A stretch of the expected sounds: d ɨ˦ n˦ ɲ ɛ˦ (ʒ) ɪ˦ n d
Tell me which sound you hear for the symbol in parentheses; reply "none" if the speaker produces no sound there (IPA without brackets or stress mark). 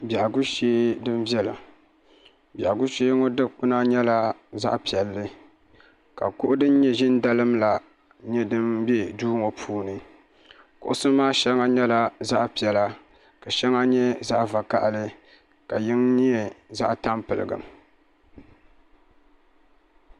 ʒ